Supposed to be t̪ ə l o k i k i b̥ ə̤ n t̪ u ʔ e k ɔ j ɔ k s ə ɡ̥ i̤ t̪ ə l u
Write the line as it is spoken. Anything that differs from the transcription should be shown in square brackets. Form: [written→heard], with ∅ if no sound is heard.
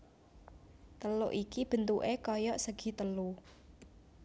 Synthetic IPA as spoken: t̪ ə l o [k→ʔ] i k i b̥ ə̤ n t̪ u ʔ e k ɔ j ɔ [k→ʔ] s ə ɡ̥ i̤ t̪ ə l u